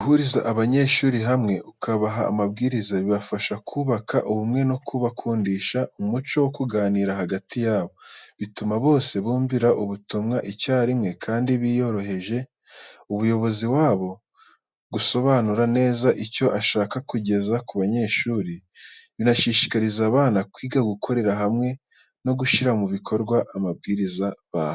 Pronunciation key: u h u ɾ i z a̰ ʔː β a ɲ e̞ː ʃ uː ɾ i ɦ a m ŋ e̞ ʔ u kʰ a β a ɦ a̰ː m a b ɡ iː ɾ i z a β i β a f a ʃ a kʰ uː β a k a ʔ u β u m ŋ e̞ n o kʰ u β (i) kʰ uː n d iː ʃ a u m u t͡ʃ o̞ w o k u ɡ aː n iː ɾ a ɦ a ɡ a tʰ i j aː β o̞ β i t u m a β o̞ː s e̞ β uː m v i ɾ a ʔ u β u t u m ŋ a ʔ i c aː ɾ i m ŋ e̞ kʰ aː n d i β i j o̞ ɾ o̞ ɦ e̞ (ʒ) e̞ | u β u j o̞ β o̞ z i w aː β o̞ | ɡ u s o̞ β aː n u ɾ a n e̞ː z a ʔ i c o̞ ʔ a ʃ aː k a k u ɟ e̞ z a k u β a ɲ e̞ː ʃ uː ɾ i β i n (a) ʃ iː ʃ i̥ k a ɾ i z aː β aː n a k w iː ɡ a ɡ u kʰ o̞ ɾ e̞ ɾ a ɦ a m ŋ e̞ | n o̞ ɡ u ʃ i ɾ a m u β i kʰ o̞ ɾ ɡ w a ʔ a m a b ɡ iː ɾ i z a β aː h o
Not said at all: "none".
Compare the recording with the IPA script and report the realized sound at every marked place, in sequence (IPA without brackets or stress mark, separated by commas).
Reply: a, ʒ, a